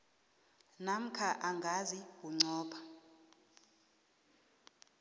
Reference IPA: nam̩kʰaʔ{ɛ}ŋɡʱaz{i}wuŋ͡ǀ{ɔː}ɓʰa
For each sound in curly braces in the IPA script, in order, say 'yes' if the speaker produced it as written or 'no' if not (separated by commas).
no, yes, yes